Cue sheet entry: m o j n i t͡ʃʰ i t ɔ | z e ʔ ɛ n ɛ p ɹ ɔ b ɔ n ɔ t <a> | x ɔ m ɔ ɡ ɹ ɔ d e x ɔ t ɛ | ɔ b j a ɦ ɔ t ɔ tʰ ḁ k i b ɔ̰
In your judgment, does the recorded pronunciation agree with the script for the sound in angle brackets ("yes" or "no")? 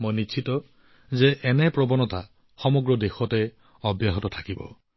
yes